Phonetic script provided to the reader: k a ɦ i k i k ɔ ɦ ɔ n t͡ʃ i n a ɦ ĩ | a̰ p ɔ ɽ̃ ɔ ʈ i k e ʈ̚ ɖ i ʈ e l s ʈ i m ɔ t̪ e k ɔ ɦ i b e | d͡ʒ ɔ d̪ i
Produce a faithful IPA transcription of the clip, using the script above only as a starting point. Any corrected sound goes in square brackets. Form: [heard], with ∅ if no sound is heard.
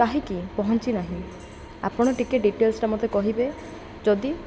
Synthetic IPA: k a ɦ i k i [p] ɔ ɦ ɔ n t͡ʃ i n a ɦ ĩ | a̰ p ɔ ɽ̃ ɔ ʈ i k e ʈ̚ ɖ i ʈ e l s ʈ [a] m ɔ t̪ e k ɔ ɦ i b e | d͡ʒ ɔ d̪ i

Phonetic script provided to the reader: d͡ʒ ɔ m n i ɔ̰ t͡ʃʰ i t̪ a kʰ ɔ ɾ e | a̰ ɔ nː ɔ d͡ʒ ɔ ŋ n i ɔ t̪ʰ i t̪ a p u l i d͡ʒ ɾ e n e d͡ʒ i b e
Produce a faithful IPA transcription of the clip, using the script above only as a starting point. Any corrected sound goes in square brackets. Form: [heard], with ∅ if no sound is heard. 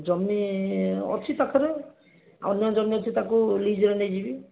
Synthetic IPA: d͡ʒ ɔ m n i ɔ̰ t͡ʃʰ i t̪ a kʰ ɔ ɾ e | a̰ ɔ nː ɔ d͡ʒ ɔ [m] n i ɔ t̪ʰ i t̪ a [k] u l i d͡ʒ ɾ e n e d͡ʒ i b [i]

